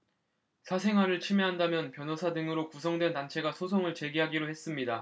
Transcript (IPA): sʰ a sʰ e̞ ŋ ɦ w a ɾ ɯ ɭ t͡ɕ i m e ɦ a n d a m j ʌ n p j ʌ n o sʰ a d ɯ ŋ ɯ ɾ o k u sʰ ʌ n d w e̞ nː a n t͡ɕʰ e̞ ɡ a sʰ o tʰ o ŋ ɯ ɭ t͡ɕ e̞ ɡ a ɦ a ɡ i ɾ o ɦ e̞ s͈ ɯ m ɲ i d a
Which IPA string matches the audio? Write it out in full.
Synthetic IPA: sʰ a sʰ e̞ ŋ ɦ w a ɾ ɯ ɭ t͡ɕʰ i m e ɦ a n d a m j ʌ n p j ʌ n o sʰ a d ɯ ŋ ɯ ɾ o k u sʰ ʌ ŋ d w e̞ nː a n t͡ɕʰ e̞ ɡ a sʰ o sʰ o ŋ ɯ ɭ t͡ɕ e̞ ɡ i ɦ a ɡ i ɾ o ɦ e̞ s͈ ɯ m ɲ i d a